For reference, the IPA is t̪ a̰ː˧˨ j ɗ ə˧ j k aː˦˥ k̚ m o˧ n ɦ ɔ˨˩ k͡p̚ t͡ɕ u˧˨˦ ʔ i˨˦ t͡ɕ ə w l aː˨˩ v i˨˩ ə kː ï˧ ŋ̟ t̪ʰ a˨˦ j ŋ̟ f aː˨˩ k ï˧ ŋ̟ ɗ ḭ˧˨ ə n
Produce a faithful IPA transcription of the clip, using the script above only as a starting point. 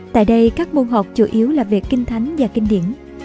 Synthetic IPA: t̪ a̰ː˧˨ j ɗ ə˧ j k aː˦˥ k̚ m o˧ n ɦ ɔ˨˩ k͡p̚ t͡ɕ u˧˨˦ ʔ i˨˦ ə w l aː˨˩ v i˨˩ ə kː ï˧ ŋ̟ t̪ʰ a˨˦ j ŋ̟ v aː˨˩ k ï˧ ŋ̟ ɗ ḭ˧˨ ə n